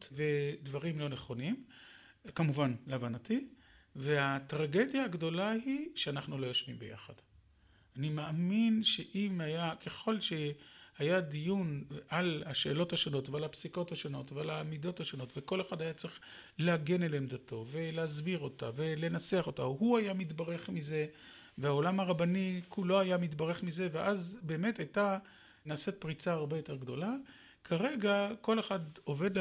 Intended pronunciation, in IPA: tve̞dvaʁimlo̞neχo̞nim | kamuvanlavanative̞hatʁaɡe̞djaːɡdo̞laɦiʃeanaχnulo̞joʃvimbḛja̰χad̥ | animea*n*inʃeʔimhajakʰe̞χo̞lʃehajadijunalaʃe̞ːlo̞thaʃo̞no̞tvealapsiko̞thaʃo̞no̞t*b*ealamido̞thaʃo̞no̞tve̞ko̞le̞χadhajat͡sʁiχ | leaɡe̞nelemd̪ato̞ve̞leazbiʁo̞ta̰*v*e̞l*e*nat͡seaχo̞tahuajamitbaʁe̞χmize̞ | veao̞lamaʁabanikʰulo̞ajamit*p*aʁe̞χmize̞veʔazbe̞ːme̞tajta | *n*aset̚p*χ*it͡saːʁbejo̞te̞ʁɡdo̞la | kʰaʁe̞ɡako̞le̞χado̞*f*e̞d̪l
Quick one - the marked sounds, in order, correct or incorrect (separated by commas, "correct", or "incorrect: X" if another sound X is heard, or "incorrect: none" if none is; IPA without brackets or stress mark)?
incorrect: m, incorrect: v, correct, correct, incorrect: b, correct, incorrect: ʁ, incorrect: v